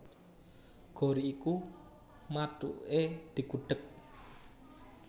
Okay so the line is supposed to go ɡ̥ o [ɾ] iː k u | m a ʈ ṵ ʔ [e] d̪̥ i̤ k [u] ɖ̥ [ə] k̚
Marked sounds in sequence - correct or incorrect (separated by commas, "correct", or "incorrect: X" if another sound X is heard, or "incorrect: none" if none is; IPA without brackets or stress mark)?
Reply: correct, correct, correct, correct